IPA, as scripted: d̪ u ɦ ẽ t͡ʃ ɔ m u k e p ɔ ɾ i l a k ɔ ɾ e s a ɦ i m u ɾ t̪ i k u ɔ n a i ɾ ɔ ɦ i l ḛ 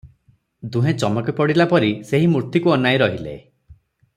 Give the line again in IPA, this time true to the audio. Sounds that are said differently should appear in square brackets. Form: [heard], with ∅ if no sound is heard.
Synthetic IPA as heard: d̪ u ɦ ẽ t͡ʃ ɔ m [ɔ] k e p ɔ [ɽ] i l a [p] ɔ ɾ [i] s [e] ɦ i m u ɾ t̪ i k u ɔ n a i ɾ ɔ ɦ i l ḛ